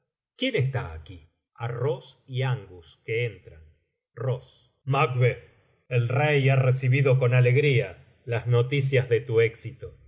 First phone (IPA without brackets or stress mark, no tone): k